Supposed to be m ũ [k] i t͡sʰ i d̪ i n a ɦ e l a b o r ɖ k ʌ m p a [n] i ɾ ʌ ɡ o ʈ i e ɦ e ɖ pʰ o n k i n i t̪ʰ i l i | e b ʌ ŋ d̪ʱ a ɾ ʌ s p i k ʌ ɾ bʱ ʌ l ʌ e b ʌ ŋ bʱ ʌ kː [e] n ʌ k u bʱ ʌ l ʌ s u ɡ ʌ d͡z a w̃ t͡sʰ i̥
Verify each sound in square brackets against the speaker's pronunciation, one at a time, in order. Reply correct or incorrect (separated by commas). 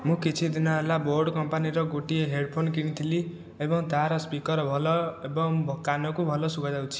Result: correct, correct, incorrect